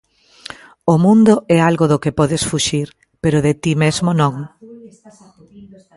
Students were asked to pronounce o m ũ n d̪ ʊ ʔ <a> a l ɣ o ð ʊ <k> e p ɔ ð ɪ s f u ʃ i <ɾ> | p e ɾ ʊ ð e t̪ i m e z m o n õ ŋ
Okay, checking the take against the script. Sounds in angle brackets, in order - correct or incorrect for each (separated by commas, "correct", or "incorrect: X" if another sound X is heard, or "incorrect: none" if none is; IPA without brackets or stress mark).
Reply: incorrect: ɛ, correct, correct